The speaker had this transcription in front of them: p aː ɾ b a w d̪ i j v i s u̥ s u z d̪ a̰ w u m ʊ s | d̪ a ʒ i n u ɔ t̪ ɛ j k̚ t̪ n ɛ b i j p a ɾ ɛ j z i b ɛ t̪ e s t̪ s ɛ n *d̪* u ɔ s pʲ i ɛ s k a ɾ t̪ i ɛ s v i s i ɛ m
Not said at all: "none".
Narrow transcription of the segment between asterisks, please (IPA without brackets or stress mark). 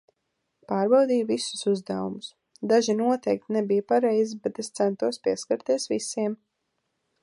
t̪